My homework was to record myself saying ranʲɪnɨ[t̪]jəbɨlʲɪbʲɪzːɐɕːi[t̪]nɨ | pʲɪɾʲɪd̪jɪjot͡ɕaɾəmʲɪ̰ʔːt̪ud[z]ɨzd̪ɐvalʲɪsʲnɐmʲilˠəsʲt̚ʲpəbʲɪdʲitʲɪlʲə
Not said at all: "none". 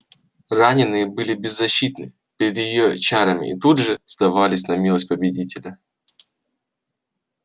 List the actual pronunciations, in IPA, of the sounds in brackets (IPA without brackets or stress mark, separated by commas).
none, t̪, ʐ